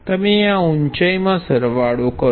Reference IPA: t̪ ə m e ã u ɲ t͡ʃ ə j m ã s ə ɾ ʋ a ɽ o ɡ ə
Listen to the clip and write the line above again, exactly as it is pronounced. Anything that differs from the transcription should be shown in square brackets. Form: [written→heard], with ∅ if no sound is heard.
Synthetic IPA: t̪ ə m e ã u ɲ t͡ʃ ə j m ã s ə ɾ ʋ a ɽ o [ɡ→k] ə